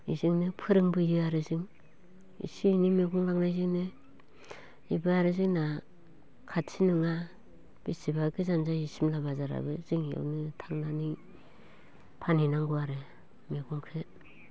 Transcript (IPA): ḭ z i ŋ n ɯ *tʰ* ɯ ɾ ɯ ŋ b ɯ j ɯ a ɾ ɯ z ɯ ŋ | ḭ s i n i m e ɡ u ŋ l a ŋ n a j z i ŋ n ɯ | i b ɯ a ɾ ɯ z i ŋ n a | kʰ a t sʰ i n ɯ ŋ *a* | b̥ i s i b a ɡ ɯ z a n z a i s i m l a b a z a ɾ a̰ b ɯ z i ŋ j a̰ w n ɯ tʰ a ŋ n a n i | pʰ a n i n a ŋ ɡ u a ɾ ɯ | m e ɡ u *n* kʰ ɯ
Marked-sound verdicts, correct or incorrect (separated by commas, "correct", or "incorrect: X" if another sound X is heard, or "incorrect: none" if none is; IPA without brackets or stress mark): incorrect: pʰ, correct, incorrect: ŋ